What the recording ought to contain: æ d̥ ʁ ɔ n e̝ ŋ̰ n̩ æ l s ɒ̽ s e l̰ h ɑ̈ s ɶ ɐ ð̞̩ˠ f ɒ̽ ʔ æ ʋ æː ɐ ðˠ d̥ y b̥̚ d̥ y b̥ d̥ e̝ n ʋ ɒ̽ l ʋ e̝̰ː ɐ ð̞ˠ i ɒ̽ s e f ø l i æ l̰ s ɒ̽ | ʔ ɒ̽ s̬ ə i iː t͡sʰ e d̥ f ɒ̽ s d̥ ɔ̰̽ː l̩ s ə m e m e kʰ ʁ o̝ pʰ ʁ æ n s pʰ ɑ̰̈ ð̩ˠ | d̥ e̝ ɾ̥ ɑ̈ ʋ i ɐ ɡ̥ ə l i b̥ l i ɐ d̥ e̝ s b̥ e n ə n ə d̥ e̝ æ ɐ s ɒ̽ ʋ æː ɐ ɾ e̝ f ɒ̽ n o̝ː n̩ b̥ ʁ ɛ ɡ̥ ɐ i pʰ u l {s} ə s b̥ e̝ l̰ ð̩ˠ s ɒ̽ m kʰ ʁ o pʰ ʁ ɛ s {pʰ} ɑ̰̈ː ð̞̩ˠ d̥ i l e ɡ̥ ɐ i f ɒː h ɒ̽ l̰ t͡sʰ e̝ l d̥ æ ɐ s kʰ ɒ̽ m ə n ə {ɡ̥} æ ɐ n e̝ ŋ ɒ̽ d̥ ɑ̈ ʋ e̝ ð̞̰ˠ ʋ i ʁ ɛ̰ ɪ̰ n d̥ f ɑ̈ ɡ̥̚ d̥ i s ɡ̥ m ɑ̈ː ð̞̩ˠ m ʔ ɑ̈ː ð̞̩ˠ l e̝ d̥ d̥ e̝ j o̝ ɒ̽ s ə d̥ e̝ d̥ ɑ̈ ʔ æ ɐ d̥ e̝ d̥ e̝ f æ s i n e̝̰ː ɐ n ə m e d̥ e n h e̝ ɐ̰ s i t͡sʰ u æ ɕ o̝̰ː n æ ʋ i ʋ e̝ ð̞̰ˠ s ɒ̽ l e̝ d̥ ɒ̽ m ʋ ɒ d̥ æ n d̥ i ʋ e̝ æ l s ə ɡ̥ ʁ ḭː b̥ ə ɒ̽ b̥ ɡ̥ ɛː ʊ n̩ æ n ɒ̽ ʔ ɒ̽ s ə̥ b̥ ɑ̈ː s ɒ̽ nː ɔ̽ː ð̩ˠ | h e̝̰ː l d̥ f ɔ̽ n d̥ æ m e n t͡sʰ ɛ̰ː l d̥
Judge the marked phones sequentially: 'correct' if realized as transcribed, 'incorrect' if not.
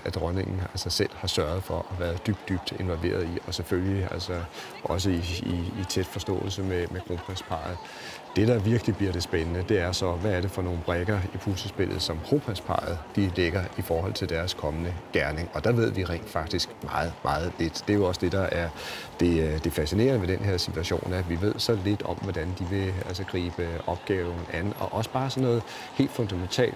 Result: correct, correct, correct

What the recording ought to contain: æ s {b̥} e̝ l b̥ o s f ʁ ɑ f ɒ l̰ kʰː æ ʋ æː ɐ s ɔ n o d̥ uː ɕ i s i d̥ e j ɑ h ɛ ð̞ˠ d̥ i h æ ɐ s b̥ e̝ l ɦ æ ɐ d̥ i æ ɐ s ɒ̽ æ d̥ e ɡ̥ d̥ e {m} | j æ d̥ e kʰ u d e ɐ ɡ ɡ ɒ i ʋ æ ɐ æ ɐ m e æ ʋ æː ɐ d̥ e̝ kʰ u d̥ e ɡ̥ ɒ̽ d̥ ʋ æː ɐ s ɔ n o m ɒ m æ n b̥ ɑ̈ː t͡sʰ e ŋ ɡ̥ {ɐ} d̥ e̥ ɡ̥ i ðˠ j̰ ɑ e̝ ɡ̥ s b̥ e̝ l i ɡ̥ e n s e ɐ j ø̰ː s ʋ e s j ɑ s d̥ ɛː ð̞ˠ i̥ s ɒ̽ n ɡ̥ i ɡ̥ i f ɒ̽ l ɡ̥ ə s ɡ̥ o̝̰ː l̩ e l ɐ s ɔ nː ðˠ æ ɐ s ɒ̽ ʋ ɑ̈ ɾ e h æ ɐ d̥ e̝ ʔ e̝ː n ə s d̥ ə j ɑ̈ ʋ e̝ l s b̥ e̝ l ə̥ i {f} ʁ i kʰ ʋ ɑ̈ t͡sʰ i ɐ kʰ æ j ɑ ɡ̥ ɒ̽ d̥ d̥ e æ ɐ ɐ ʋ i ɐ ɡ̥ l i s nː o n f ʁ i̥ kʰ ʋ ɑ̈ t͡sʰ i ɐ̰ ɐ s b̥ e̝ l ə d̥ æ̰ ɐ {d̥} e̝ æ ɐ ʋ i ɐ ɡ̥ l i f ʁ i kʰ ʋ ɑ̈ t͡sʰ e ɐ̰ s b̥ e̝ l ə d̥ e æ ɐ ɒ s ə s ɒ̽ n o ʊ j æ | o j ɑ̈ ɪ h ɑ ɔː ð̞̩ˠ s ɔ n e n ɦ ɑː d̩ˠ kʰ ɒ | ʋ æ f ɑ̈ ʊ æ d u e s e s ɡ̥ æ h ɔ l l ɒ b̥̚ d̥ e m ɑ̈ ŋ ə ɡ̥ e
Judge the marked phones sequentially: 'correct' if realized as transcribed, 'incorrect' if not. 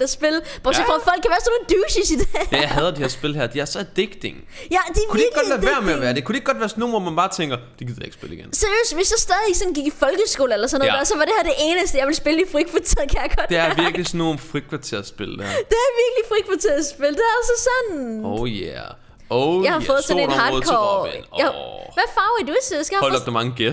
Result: correct, incorrect, correct, correct, correct

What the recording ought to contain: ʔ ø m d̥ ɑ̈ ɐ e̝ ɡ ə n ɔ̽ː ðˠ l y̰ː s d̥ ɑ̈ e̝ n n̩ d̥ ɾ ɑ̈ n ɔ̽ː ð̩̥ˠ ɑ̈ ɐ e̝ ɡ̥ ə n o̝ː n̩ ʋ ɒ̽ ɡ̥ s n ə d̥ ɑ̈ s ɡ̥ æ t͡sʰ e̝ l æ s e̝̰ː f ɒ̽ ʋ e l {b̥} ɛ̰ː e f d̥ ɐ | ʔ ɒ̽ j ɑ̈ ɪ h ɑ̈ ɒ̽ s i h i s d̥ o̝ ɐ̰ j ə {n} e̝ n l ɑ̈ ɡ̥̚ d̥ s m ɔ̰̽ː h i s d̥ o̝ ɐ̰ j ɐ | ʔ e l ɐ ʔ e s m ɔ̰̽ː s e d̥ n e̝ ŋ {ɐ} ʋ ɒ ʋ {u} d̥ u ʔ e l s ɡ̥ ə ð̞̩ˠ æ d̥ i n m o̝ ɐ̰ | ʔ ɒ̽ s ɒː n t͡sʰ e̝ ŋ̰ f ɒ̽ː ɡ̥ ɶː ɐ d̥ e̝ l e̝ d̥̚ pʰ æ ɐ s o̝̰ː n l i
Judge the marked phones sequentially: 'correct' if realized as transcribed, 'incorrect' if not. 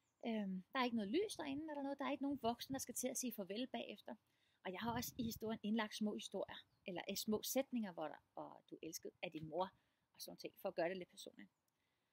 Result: correct, correct, correct, incorrect

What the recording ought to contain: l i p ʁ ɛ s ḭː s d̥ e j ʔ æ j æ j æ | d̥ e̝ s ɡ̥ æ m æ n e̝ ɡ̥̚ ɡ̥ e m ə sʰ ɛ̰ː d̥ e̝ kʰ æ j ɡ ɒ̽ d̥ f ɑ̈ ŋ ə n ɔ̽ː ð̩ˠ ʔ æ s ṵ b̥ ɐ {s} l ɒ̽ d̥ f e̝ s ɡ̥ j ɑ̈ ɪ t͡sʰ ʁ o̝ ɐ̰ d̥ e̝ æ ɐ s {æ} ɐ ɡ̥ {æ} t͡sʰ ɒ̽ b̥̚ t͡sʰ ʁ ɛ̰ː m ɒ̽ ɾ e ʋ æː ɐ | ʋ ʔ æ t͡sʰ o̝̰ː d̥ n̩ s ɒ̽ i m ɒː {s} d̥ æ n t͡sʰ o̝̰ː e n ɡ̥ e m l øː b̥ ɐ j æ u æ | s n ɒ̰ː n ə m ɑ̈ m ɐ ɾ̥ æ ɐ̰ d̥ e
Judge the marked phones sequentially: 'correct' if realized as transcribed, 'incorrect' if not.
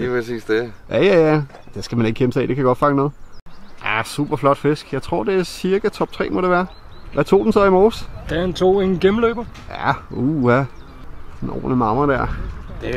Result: incorrect, incorrect, correct, correct

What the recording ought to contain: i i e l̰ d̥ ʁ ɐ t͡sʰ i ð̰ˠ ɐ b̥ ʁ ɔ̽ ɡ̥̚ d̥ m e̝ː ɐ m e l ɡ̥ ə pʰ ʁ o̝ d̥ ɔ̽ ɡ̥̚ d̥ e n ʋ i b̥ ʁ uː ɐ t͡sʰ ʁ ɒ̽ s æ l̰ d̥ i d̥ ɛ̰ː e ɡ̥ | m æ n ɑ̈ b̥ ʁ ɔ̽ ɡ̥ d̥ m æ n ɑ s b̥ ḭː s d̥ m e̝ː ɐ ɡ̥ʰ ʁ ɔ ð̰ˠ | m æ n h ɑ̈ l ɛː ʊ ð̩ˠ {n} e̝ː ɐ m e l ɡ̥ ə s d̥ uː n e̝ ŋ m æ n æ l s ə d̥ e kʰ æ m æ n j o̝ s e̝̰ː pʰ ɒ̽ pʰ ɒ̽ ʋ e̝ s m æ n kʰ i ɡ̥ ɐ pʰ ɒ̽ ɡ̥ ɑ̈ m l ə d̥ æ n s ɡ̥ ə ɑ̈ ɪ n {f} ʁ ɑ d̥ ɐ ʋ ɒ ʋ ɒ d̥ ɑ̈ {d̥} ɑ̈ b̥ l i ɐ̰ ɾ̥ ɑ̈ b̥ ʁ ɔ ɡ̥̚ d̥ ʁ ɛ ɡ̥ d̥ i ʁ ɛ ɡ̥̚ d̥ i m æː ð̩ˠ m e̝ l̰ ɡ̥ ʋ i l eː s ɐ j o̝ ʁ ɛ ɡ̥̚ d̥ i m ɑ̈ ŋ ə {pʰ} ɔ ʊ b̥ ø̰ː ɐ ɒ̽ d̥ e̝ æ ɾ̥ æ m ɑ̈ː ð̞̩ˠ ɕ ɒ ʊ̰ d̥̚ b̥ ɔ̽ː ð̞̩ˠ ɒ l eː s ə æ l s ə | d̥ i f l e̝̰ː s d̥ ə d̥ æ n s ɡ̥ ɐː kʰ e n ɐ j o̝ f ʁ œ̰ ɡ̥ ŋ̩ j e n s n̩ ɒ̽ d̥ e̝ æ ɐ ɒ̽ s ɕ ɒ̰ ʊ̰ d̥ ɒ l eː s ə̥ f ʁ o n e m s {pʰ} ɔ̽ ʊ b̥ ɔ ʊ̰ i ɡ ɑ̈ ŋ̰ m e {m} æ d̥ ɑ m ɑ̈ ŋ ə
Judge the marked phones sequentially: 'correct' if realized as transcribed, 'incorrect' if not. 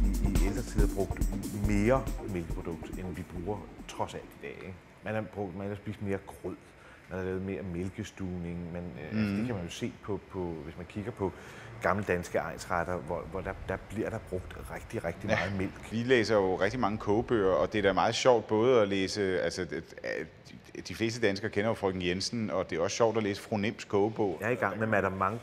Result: incorrect, incorrect, correct, incorrect, incorrect, correct

